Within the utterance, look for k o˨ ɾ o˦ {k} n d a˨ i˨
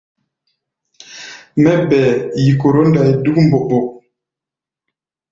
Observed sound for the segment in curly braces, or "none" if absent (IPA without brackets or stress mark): none